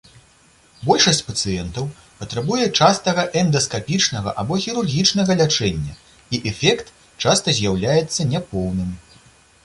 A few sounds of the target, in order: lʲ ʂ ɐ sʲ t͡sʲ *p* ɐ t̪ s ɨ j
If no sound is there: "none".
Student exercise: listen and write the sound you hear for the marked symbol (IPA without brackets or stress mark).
p